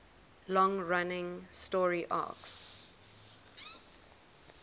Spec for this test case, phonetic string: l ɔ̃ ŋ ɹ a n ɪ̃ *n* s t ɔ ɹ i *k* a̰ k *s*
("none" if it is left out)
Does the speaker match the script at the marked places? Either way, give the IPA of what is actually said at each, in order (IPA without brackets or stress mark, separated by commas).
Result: ŋ, ʔ, s